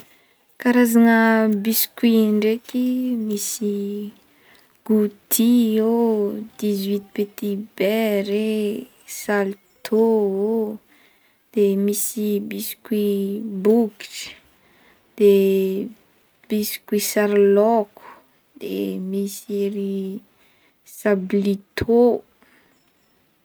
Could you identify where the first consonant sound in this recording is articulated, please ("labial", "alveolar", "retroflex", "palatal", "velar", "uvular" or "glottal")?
velar